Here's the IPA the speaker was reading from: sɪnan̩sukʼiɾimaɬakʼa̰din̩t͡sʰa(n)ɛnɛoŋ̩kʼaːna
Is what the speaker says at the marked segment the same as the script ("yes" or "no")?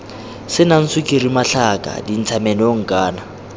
no